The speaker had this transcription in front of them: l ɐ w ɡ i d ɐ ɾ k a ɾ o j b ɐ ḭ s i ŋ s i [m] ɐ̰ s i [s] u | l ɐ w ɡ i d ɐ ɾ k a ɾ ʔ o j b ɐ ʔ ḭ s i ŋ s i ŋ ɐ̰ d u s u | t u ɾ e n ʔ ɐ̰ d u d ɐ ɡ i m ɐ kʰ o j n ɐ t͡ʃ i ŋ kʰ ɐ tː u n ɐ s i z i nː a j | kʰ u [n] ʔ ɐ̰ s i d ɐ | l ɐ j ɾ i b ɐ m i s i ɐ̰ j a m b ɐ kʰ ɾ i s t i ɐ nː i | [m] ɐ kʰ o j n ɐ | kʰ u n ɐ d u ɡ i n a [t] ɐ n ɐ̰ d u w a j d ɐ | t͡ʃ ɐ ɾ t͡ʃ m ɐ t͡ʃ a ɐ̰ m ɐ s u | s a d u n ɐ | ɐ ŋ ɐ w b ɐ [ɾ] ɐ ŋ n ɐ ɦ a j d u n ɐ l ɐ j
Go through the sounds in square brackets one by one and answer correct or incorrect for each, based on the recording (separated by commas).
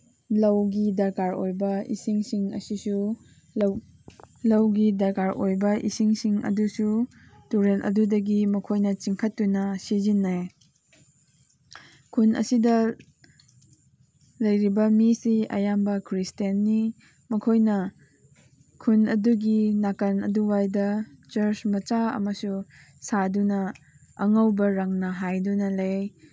incorrect, correct, correct, correct, incorrect, correct